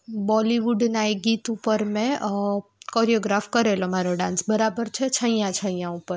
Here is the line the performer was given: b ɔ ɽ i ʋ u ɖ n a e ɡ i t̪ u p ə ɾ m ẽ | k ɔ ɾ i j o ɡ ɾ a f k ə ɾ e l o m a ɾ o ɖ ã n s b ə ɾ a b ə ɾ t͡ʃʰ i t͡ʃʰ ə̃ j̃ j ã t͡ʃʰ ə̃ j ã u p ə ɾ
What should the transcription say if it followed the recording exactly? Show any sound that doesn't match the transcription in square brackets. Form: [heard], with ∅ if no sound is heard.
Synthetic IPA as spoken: b ɔ [l] i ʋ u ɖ n a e ɡ i t̪ u p ə ɾ m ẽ | k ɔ ɾ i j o ɡ ɾ a f k ə ɾ e l o m a ɾ o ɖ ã n s b ə ɾ a b ə ɾ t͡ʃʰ [e] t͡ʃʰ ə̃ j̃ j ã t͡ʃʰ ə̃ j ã u p ə ɾ